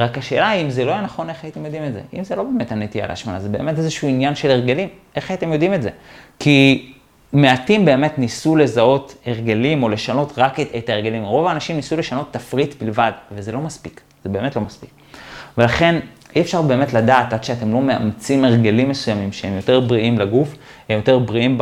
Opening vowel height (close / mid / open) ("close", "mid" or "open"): open